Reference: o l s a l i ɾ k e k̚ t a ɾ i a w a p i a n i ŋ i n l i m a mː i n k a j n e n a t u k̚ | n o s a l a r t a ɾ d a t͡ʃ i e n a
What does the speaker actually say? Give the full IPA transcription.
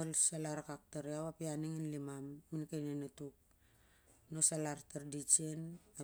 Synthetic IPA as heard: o l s a l a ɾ k a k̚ t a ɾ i a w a p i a n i ŋ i n l i m a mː i n k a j n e n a t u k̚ | n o s a l a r t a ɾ d i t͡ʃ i e n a

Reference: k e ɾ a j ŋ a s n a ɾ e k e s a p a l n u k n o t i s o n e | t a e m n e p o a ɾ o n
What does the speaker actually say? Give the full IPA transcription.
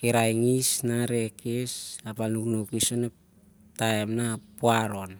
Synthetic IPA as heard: k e ɾ a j ŋ i s n a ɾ e k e s a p a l n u k n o k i s o n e | t a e m n a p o a ɾ o n

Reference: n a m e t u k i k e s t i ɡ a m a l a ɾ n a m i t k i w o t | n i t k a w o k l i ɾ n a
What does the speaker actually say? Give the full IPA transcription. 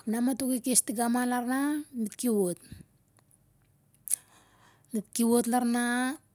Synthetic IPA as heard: n a m a t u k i k e s t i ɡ a m a l a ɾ n a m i t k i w o t | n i t k i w o t l a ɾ n a

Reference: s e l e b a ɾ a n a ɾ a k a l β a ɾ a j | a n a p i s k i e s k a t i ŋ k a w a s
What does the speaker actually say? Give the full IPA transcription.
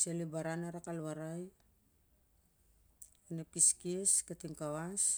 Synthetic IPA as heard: s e l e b a ɾ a n a ɾ a k a l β a ɾ a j | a n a p i s k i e s k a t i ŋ k a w a s

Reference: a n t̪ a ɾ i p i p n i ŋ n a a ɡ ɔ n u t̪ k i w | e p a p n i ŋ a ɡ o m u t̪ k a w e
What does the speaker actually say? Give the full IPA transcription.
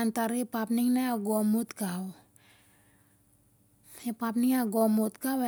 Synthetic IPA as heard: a n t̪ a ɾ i p a p n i ŋ n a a ɡ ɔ m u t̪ k a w | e p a p n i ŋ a ɡ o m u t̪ k a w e

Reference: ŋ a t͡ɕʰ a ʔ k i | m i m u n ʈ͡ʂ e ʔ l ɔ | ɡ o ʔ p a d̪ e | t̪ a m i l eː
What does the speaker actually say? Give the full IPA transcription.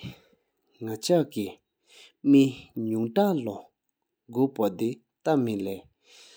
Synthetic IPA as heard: ŋ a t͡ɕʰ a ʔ k i | m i ɲ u ŋ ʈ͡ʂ a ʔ l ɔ | ɡ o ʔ p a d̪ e | t̪ a m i l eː

